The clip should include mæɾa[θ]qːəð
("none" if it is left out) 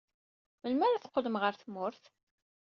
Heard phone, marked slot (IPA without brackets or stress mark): θ